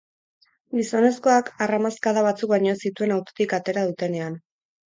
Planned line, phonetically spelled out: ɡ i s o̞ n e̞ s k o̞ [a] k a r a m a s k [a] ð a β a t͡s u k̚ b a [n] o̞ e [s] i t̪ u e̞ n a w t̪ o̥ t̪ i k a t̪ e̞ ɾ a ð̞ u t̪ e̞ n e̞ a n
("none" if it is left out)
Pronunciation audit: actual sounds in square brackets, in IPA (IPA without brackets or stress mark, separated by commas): a, a, ɲ, s